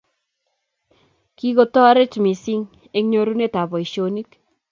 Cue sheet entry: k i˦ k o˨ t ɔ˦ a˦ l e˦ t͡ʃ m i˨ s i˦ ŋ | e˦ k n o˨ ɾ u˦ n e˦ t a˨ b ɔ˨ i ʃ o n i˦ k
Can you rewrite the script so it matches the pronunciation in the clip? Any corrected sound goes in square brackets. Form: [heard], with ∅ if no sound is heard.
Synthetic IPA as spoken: k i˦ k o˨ t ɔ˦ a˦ [ɾ] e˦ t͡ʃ m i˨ s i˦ ŋ | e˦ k [ɲ] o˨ ɾ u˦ n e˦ t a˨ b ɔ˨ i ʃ o n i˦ k

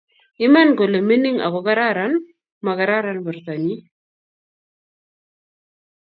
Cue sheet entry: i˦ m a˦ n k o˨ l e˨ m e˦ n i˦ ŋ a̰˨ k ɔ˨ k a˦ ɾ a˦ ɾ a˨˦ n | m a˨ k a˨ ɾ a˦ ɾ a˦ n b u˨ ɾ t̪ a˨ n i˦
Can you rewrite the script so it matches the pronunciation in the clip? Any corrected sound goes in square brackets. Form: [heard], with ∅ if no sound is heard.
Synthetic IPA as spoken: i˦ m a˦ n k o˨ l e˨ m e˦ n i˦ ŋ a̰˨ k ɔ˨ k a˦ ɾ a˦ ɾ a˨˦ n | m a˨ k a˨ ɾ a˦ ɾ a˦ n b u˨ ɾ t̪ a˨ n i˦

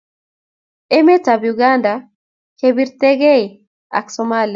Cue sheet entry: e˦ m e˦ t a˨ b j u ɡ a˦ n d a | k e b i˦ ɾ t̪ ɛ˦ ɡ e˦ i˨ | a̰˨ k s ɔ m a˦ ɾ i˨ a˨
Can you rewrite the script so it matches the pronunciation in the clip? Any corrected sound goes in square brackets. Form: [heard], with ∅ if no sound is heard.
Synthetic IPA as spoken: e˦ m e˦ t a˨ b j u ɡ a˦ n d a | k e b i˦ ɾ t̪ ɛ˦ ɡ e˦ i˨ | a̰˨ k s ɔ m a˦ [l] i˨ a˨

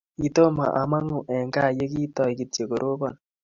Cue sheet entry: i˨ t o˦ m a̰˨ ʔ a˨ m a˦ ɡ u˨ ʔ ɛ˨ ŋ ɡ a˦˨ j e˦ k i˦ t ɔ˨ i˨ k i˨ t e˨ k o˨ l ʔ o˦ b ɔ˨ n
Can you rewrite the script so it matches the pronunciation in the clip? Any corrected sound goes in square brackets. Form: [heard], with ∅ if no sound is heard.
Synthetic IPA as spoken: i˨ t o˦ m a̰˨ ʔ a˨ m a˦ [ŋ] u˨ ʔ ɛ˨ ŋ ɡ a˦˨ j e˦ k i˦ t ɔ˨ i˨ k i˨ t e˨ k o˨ [ɾ] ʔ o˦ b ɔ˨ n

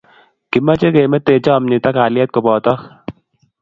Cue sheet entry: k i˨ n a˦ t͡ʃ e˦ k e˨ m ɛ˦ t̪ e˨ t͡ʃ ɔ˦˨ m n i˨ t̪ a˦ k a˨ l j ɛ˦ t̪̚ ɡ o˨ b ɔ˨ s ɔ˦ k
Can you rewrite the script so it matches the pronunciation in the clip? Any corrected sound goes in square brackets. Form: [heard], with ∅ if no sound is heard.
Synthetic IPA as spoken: k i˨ [m] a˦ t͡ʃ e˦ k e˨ m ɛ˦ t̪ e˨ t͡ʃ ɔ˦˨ m n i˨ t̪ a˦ k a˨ l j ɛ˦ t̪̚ [k] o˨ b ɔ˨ [t] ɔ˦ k

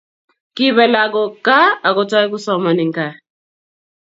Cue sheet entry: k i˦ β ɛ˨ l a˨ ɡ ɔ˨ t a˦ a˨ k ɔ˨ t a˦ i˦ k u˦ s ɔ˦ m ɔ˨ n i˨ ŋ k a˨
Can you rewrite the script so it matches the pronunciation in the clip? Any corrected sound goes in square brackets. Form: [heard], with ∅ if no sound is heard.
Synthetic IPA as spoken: k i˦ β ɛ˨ l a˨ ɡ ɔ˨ [k] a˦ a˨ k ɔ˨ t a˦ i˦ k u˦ s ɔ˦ m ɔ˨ n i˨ ŋ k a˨

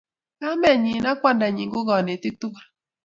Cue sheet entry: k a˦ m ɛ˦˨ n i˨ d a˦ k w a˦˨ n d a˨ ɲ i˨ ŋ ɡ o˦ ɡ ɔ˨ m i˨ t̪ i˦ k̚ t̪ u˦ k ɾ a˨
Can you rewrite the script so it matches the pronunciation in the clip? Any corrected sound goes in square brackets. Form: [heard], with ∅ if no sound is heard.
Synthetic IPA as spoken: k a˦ m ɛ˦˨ [ɲ] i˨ [n] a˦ k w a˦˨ n d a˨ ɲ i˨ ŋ ɡ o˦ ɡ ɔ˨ [n] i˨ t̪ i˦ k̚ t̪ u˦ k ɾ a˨

